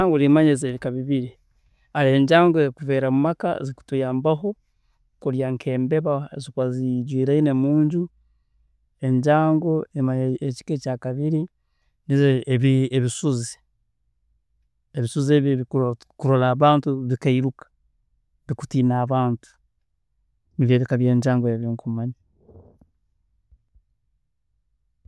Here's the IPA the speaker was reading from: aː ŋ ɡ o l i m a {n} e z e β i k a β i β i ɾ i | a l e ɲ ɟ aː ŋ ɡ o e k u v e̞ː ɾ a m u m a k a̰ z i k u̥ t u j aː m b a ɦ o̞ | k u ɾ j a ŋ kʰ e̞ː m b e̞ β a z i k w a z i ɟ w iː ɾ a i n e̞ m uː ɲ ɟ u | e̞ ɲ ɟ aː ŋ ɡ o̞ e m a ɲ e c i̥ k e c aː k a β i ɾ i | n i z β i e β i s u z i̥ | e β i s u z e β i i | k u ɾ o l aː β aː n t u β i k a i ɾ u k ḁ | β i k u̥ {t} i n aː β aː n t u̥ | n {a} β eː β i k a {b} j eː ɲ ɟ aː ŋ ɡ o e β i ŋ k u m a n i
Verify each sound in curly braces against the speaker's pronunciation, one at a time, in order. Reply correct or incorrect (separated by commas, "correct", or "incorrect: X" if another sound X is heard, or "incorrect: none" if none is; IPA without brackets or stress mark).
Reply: incorrect: ɲ, correct, incorrect: i, incorrect: β